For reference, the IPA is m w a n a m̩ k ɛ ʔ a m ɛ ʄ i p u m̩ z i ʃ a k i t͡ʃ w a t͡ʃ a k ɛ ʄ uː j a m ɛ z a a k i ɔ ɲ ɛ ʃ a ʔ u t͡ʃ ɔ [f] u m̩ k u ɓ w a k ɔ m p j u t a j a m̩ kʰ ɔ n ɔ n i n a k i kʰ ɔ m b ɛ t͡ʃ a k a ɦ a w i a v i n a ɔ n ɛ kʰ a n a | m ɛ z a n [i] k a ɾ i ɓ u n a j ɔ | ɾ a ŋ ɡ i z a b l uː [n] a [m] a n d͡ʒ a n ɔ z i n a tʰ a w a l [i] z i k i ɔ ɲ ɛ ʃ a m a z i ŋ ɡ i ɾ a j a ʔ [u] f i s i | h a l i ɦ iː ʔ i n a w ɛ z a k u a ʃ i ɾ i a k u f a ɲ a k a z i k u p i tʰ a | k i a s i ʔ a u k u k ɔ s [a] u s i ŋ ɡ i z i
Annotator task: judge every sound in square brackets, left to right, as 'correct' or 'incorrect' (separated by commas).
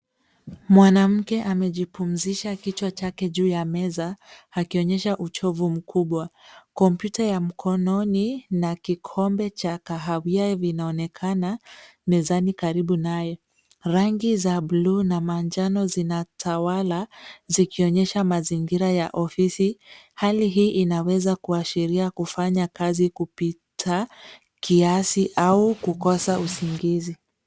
incorrect, correct, correct, correct, incorrect, incorrect, correct